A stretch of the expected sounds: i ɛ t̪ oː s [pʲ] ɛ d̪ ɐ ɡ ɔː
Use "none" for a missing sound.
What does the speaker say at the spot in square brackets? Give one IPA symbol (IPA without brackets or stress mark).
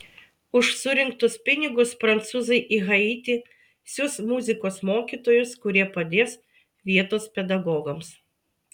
pʲ